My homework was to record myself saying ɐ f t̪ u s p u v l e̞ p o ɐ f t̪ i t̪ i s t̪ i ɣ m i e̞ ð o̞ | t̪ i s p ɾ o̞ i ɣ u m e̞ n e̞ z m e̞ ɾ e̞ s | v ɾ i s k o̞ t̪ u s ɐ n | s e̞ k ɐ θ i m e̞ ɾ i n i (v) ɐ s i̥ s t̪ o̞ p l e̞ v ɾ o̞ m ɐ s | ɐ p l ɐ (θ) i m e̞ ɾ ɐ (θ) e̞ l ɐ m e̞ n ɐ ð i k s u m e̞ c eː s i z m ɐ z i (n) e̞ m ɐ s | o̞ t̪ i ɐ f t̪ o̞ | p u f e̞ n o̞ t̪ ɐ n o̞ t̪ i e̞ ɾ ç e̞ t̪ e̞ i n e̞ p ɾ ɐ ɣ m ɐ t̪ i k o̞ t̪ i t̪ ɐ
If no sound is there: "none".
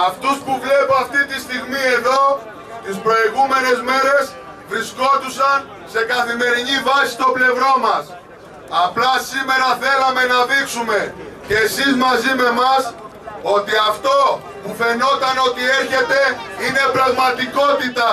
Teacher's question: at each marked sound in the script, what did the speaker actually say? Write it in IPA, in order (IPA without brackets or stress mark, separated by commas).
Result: v, s, θ, m